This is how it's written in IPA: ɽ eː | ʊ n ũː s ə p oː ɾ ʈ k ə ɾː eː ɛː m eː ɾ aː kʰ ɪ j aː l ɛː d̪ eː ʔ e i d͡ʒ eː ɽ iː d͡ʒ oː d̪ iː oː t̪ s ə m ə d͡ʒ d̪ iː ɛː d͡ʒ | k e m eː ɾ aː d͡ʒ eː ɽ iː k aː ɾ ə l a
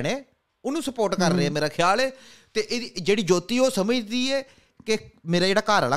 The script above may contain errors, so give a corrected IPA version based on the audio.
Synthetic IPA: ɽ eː | ʊ n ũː s ə p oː ɾ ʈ k ə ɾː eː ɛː m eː ɾ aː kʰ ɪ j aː l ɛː t̪ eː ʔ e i d͡ʒ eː ɽ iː d͡ʒ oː t̪ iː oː s ə m ə d͡ʒ d̪ iː ɛː | k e m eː ɾ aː d͡ʒ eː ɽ aː k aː ɾ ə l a